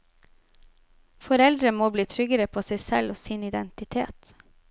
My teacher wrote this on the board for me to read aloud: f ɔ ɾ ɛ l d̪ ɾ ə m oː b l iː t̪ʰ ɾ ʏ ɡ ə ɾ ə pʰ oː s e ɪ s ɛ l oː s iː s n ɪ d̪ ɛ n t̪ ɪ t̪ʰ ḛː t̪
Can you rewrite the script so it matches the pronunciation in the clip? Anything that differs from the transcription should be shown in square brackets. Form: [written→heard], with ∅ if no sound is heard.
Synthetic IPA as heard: f ɔ ɾ ɛ l d̪ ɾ ə m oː b l iː t̪ʰ ɾ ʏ ɡ ə ɾ ə pʰ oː s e ɪ s ɛ l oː s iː [s→∅] n ɪ d̪ ɛ n t̪ ɪ t̪ʰ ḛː t̪